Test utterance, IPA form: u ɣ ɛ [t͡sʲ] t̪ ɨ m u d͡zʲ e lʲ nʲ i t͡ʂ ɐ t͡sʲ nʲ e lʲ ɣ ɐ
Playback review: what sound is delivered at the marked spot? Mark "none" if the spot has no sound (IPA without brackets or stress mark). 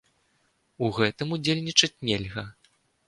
none